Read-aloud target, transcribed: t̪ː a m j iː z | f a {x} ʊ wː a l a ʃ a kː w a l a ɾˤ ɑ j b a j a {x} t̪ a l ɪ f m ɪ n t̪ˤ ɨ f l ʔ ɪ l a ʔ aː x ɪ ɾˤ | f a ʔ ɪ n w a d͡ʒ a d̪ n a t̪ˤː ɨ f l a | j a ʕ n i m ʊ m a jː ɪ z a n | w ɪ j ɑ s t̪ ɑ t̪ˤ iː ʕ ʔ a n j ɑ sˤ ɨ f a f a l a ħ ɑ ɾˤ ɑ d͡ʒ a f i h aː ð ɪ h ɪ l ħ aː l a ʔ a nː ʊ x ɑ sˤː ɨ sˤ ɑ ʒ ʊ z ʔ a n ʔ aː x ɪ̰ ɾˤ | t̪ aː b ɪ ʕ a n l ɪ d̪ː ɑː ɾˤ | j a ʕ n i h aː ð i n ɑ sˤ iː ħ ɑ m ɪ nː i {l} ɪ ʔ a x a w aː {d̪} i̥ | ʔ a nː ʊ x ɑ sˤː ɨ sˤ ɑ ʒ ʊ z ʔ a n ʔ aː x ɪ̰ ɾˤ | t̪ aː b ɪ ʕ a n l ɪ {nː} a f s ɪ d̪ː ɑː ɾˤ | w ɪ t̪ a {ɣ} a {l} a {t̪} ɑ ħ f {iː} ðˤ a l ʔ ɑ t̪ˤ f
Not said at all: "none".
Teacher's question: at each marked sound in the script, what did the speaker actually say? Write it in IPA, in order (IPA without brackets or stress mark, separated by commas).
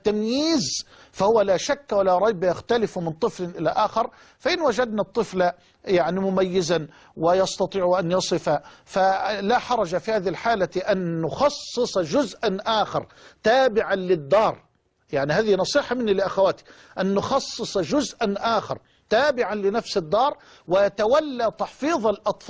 h, x, l, t̪, n, w, lː, t̪, iː